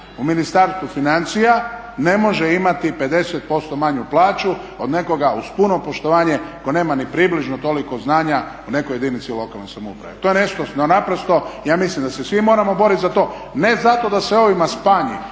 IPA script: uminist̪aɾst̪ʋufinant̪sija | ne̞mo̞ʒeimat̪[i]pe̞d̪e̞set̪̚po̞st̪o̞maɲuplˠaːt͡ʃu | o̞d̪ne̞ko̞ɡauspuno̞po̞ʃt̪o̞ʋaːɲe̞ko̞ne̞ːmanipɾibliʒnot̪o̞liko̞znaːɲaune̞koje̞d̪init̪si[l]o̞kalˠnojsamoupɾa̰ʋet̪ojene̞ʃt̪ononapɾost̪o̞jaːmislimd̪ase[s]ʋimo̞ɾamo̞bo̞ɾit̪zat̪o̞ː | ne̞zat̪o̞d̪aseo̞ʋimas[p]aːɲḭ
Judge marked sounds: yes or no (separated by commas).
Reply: yes, yes, yes, yes